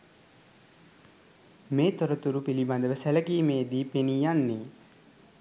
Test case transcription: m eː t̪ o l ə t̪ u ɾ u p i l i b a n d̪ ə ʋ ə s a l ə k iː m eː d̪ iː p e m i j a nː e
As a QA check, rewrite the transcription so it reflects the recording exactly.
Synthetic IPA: m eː t̪ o ɾ ə t̪ u ɾ u p i l i b a n d̪ ə ʋ ə s æ l ə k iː m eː d̪ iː p e n i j a nː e